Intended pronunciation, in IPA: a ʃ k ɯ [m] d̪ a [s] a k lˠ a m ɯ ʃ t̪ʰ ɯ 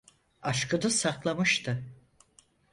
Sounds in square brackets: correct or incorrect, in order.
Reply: incorrect: none, correct

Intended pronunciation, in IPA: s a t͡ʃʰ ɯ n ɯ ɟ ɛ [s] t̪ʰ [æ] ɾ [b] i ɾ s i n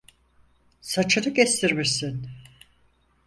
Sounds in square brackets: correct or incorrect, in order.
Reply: correct, incorrect: i, incorrect: m

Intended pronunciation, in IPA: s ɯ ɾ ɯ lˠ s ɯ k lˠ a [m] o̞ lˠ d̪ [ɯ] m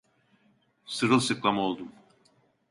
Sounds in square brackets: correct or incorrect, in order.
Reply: correct, incorrect: u

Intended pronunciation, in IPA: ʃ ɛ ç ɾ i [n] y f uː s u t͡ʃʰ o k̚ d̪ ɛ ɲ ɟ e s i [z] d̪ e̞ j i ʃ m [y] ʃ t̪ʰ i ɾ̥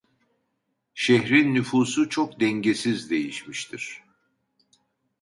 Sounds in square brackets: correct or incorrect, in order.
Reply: incorrect: nː, correct, incorrect: i

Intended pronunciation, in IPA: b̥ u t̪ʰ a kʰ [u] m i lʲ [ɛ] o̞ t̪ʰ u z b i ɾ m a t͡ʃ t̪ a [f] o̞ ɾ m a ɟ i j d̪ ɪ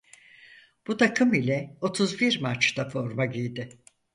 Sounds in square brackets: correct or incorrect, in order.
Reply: incorrect: ɯ, correct, correct

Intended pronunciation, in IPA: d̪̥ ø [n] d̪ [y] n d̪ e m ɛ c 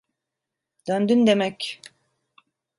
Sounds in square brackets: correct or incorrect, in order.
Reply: correct, correct

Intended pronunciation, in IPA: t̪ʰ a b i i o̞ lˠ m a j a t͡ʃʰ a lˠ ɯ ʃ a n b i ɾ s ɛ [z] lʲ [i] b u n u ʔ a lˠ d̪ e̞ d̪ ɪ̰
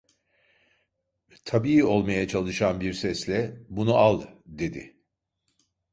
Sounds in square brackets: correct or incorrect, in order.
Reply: incorrect: s, incorrect: ɛ

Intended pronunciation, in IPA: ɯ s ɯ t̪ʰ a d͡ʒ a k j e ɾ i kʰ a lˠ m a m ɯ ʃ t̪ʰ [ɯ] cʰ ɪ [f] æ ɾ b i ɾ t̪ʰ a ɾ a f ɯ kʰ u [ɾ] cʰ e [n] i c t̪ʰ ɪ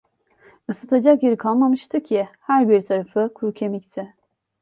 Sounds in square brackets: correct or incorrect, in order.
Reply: correct, incorrect: h, correct, incorrect: m

